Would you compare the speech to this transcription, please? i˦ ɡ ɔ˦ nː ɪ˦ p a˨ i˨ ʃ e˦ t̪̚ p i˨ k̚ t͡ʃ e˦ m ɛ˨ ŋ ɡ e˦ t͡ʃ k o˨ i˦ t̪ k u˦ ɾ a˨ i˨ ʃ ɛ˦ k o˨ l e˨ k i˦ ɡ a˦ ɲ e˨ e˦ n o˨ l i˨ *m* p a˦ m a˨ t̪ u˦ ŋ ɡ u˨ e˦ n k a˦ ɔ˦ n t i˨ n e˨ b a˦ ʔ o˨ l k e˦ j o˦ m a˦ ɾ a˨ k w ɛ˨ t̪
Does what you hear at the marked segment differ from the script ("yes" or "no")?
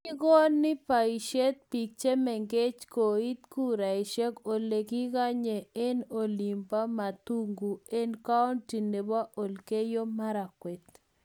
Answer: no